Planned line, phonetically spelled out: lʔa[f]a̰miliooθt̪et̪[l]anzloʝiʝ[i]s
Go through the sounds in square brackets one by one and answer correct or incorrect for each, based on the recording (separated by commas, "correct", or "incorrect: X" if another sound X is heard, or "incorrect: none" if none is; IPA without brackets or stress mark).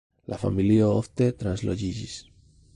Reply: correct, incorrect: ɾ, correct